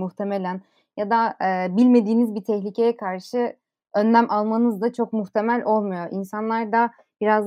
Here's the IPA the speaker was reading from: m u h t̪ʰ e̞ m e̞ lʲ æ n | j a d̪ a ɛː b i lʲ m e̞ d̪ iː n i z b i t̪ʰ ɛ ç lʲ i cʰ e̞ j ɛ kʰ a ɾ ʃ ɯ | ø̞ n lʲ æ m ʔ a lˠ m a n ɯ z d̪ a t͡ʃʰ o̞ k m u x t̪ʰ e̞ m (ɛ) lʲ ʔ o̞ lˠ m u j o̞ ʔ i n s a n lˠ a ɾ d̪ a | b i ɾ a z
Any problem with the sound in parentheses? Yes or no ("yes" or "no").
yes